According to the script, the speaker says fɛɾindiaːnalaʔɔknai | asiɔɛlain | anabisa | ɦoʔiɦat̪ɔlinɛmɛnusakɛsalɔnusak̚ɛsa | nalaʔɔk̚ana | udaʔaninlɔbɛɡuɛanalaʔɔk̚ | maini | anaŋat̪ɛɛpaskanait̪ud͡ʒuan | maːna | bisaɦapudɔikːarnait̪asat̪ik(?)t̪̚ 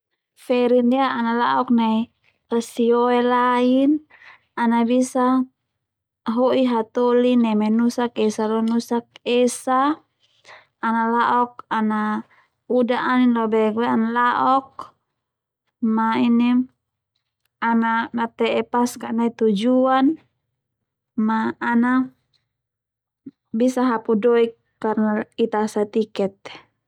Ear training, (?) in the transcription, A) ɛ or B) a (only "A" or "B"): A